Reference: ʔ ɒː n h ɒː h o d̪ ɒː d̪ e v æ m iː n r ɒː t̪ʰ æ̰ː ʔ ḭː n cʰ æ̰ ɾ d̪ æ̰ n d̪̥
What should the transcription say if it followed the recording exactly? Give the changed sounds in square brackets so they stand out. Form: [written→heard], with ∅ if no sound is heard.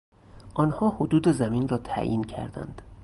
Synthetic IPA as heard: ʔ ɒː n h ɒː h o d̪ [ɒː→uː] d̪ e [v→z] æ m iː n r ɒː t̪ʰ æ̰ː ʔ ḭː n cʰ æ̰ ɾ d̪ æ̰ n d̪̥